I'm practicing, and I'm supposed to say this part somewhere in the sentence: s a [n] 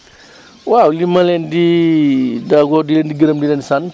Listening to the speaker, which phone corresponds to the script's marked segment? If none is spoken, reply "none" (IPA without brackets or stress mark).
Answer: n